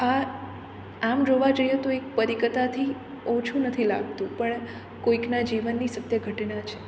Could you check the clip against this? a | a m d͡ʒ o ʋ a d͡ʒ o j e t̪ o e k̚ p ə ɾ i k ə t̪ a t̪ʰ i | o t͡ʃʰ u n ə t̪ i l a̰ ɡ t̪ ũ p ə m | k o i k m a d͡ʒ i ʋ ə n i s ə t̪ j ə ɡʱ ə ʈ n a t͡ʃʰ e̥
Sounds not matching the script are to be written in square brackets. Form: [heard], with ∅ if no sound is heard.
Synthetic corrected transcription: a | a m d͡ʒ o ʋ a d͡ʒ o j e t̪ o e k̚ p ə ɾ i k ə t̪ a t̪ʰ i | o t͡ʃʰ u n ə [t̪ʰ] i l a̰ ɡ t̪ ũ p ə [ɳ] | k o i k [n] a d͡ʒ i ʋ ə [nː] i s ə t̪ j ə ɡʱ ə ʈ n a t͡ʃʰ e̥